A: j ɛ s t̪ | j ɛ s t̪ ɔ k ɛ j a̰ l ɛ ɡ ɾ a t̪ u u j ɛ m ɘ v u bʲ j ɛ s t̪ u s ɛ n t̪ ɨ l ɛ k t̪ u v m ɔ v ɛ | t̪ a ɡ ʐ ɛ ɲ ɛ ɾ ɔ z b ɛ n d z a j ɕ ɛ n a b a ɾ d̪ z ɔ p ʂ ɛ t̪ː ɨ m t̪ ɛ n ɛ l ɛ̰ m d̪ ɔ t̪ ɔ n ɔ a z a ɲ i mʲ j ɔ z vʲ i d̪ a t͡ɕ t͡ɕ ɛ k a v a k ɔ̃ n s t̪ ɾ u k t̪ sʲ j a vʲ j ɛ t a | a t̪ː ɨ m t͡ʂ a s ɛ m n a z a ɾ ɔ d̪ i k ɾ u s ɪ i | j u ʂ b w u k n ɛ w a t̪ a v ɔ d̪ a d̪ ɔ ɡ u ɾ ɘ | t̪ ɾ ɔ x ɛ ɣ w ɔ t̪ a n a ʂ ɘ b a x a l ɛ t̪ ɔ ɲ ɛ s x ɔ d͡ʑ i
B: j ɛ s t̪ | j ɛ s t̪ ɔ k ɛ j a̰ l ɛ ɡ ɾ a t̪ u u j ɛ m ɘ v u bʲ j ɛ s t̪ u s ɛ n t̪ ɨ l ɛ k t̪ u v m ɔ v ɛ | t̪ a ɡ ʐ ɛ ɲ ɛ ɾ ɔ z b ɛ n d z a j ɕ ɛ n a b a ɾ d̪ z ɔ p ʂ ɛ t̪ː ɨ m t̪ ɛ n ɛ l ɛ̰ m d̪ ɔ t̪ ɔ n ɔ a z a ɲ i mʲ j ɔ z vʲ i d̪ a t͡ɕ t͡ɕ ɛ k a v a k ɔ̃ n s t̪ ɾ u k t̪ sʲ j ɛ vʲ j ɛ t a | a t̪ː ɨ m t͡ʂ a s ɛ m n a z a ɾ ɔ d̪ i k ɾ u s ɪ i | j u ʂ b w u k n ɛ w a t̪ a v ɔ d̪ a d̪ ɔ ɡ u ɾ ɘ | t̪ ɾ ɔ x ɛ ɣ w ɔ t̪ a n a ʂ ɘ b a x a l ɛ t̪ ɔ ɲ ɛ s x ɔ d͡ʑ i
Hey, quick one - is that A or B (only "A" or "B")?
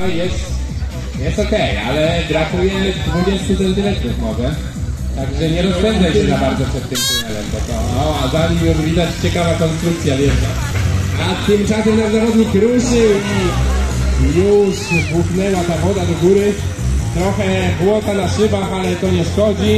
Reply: A